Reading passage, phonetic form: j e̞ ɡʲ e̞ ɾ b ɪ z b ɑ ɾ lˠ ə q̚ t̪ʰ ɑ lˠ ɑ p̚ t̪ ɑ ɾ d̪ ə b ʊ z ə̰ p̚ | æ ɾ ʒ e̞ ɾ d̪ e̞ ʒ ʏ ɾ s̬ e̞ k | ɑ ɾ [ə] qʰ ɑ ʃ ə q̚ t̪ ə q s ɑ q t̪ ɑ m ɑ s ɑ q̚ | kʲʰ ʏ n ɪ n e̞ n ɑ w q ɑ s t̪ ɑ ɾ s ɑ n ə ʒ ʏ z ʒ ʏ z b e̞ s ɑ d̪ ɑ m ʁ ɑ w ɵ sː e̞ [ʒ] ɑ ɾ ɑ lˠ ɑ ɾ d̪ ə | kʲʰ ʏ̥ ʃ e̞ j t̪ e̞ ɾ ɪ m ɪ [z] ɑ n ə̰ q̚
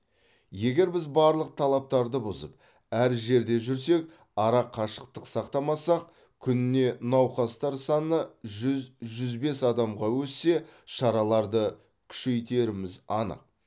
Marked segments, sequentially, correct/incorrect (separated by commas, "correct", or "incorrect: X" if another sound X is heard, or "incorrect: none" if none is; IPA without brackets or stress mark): incorrect: ɑ, incorrect: ʃ, correct